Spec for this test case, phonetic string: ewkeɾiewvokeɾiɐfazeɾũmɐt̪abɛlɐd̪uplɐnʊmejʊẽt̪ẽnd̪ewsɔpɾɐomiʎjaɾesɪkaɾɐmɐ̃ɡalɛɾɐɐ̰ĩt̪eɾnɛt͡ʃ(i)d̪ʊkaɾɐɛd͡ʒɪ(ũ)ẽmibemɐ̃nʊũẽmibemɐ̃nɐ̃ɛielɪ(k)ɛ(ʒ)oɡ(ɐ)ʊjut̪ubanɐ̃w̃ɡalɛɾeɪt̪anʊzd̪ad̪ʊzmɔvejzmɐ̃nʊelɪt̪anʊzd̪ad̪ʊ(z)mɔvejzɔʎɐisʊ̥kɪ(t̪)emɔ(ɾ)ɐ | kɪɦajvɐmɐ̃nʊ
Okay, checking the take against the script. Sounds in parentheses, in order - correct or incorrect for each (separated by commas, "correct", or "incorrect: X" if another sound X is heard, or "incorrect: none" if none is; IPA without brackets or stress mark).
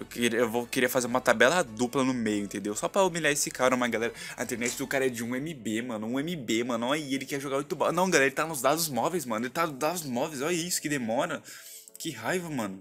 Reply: incorrect: ɪ, correct, correct, correct, incorrect: a, correct, incorrect: d̪, correct